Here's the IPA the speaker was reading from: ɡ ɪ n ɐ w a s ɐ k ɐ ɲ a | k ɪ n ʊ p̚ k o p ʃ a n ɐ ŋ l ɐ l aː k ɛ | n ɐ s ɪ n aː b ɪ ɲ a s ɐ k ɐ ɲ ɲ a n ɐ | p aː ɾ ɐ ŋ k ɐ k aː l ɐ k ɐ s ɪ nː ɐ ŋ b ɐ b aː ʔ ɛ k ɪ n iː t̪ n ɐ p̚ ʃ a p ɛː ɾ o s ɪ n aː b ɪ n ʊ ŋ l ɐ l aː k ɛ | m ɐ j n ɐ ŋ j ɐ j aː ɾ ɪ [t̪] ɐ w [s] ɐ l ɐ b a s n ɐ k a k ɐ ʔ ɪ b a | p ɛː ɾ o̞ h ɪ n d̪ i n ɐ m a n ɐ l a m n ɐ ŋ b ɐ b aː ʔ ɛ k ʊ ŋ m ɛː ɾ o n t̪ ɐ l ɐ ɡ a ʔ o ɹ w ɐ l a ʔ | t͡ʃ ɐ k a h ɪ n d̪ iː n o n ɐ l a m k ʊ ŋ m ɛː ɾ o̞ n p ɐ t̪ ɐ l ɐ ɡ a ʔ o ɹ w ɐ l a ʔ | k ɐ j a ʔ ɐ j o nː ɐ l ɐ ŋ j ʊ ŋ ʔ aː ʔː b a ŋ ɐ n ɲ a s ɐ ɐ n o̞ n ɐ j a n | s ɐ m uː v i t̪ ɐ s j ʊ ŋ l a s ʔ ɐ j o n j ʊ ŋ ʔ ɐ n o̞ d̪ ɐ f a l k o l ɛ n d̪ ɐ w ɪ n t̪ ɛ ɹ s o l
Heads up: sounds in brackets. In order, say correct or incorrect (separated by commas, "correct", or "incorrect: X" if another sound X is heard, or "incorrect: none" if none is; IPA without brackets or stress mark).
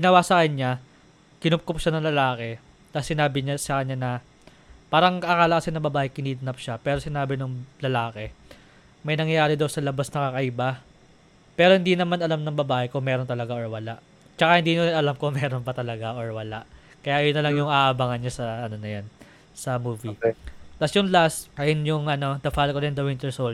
incorrect: d̪, correct